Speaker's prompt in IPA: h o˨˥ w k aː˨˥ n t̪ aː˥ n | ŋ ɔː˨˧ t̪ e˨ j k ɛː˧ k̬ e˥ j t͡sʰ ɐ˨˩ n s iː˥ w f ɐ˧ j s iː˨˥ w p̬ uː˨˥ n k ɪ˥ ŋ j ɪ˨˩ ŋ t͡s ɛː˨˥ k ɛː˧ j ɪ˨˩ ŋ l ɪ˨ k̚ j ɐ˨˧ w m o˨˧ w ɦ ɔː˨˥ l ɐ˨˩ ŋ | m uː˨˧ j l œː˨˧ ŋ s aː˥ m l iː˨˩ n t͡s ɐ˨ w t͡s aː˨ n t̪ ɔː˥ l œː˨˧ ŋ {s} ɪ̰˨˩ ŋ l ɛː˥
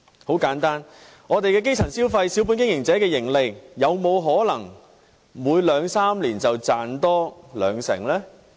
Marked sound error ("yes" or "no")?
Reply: no